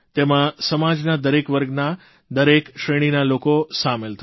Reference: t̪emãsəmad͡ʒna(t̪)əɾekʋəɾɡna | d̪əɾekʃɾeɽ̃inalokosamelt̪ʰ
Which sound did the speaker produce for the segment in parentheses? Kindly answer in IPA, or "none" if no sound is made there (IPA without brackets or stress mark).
d̪